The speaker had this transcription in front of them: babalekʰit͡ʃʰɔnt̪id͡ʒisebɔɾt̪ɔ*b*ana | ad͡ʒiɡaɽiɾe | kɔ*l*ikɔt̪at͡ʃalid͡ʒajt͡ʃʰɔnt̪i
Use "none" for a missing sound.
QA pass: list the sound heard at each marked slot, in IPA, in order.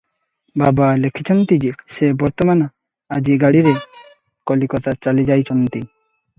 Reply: m, l

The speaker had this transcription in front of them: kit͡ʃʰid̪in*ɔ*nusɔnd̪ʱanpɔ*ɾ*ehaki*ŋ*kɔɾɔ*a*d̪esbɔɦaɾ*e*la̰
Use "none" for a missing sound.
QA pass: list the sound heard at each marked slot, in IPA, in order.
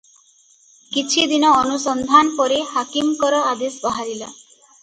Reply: ɔː, ɾ, m, a, i

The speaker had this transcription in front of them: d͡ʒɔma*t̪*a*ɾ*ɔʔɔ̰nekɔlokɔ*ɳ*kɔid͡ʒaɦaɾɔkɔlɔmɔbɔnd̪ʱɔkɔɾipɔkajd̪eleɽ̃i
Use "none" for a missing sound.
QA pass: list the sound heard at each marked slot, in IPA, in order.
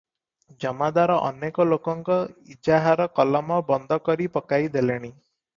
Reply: d̪, ɾ, ŋ

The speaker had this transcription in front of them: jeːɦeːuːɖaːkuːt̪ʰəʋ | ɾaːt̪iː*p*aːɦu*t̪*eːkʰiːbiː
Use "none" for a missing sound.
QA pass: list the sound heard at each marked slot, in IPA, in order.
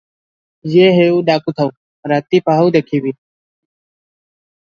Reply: p, d̪

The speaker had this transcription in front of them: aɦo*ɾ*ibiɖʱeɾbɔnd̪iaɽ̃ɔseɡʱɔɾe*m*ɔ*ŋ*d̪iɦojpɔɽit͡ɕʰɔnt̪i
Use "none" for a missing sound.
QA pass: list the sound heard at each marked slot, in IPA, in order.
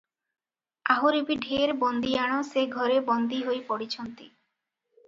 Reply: ɾ, b, n

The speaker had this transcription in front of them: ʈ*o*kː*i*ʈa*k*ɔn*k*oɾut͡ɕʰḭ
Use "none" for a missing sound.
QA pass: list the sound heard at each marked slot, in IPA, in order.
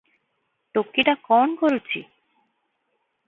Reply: o, i, k, k

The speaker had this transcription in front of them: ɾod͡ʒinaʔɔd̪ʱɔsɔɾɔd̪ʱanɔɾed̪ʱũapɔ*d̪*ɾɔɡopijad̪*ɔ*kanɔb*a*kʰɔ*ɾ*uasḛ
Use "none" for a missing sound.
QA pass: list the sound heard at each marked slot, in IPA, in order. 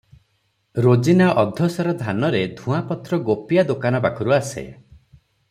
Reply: t̪, o, a, ɾ

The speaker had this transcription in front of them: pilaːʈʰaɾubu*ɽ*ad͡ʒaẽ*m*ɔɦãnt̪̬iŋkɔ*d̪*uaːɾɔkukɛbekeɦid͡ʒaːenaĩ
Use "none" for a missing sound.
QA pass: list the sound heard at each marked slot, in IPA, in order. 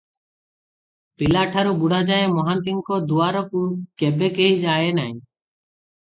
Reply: ɽ, m, d̪

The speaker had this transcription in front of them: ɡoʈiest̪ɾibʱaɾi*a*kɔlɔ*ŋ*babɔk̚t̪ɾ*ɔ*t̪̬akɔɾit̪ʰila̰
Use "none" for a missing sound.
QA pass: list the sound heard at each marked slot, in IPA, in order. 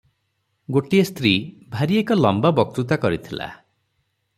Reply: e, m, u

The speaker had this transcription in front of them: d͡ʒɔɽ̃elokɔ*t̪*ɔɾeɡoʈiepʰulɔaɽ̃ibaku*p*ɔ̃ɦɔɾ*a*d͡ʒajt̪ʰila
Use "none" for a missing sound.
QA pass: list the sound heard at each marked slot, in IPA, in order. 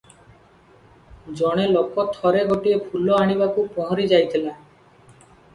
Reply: t̪ʰ, p, i

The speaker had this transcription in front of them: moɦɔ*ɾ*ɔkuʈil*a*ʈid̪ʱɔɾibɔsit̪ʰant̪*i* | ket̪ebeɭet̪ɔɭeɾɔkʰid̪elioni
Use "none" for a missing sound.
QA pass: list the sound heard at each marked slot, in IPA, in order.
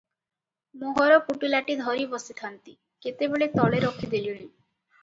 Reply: ɾ, a, i

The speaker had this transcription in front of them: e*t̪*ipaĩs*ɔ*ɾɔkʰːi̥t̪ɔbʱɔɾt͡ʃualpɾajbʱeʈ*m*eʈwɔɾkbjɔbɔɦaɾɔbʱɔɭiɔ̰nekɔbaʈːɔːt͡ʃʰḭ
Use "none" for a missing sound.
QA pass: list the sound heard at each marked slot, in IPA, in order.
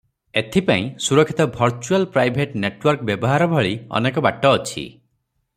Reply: t̪ʰ, u, n

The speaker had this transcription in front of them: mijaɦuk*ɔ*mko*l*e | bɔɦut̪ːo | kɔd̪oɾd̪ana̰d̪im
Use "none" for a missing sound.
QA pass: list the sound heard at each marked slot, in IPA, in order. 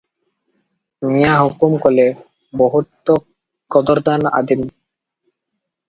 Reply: u, l

